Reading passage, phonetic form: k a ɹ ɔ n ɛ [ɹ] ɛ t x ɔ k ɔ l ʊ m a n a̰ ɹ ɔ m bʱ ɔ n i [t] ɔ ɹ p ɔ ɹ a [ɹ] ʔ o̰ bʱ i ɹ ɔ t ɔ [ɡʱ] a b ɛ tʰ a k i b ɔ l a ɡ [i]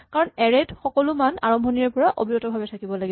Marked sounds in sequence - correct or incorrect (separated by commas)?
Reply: correct, incorrect, incorrect, incorrect, correct